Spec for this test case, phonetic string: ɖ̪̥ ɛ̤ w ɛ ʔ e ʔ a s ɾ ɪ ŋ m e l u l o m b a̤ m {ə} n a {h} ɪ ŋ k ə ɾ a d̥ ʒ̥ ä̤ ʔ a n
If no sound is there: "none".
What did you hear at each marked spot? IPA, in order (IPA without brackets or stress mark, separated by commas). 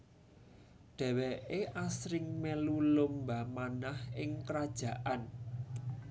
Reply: a, h